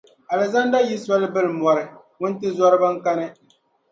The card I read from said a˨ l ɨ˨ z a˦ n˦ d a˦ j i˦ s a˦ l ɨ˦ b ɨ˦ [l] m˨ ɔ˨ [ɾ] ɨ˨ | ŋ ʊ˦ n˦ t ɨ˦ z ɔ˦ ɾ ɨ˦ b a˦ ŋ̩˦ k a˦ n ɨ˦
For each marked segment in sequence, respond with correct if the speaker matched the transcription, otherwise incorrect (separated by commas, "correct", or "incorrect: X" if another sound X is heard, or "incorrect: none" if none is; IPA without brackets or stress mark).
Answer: correct, correct